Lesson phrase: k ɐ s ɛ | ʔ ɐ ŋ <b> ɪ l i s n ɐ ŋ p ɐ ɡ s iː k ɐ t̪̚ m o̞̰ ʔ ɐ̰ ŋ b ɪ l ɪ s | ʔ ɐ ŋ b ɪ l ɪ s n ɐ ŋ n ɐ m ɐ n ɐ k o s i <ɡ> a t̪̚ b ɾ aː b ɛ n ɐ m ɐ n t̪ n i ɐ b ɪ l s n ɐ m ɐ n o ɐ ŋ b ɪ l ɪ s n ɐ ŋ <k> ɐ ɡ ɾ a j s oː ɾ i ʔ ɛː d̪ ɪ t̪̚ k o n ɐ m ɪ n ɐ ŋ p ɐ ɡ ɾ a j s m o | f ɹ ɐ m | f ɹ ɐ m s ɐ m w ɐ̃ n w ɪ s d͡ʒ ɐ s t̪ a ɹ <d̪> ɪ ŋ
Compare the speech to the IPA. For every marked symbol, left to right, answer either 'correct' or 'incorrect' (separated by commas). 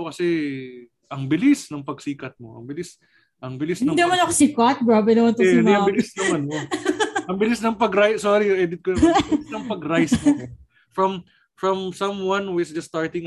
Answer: correct, incorrect, incorrect, incorrect